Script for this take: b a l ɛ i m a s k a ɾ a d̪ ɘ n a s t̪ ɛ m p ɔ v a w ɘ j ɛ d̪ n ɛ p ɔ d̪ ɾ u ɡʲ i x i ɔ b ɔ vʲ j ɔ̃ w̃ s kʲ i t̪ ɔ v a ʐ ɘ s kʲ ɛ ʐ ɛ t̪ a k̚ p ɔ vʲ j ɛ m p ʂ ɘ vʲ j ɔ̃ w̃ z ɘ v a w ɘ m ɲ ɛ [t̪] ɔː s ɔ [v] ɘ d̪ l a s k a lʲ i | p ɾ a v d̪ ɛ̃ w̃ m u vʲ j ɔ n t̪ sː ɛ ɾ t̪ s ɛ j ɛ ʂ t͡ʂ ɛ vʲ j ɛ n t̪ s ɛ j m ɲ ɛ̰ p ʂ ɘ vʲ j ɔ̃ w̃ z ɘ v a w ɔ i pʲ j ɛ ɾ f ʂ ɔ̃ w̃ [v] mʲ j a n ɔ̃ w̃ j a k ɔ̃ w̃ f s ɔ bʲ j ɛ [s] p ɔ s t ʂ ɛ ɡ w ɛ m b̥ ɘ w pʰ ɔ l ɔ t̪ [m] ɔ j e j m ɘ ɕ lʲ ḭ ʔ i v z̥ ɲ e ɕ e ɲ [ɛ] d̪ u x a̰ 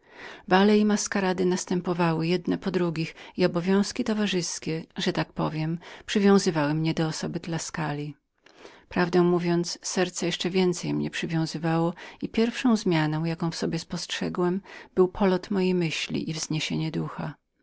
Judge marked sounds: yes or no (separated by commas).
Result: no, no, no, yes, yes, yes